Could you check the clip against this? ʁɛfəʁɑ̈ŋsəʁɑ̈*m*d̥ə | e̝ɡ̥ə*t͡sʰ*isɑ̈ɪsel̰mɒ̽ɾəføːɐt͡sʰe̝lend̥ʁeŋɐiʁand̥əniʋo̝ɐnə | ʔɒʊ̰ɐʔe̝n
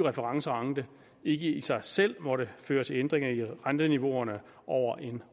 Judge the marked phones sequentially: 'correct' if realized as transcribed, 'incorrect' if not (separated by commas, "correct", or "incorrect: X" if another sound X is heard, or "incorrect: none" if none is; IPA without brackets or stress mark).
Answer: incorrect: ŋ, incorrect: none